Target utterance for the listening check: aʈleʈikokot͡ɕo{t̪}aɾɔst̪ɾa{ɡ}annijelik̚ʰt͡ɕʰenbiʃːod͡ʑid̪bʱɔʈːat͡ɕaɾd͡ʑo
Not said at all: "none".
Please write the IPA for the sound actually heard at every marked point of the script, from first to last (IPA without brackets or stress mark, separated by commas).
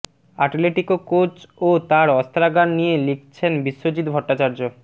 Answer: t̪, ɡ